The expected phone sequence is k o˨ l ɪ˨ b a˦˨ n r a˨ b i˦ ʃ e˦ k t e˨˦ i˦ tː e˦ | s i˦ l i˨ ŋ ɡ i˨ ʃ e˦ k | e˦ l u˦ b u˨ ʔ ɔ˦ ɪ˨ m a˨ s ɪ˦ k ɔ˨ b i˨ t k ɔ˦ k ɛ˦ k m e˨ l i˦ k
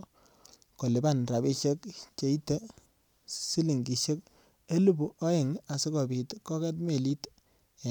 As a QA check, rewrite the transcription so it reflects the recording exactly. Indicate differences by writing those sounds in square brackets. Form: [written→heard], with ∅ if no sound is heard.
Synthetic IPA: k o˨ l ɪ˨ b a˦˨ n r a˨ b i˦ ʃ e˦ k [t→t͡ʃ] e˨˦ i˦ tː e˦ | s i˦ l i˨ ŋ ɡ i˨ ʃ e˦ k | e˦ l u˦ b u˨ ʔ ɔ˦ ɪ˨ [m→ŋ] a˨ s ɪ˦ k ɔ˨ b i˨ t k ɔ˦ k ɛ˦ [k→t] m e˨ l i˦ [k→t]